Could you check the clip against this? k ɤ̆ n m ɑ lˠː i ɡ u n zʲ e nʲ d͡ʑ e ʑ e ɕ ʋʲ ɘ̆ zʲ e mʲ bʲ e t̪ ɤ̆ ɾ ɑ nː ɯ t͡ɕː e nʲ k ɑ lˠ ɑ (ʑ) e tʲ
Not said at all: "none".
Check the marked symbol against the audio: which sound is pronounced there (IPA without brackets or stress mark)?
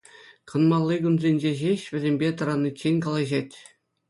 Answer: ʑ